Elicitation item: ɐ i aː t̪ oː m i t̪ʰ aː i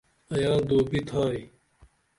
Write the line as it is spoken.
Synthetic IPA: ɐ j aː d̪ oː b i t̪ʰ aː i